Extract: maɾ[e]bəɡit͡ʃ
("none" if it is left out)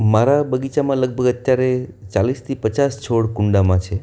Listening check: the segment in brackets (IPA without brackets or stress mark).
a